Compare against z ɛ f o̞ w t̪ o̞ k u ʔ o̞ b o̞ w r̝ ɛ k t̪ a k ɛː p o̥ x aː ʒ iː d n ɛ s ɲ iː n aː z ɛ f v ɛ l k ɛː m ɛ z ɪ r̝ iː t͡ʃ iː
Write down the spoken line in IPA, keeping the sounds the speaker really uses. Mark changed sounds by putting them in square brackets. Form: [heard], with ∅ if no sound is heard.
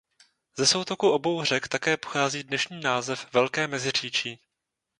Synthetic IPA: z ɛ [s] o̞ w t̪ o̞ k u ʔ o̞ b o̞ w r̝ ɛ k t̪ a k ɛː p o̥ x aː [z] iː d n ɛ [ʃ] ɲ iː n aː z ɛ f v ɛ l k ɛː m ɛ z ɪ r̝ iː t͡ʃ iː